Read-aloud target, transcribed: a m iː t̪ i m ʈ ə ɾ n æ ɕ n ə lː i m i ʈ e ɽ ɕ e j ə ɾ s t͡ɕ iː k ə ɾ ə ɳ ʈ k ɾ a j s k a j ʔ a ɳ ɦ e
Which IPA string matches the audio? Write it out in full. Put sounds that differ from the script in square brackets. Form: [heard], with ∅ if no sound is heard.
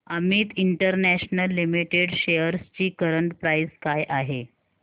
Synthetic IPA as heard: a m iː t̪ i [ɳ] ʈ ə ɾ n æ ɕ n ə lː i m i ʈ e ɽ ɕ e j ə ɾ s t͡ɕ iː k ə ɾ ə ɳ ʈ [p] ɾ a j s k a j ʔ a [∅] ɦ e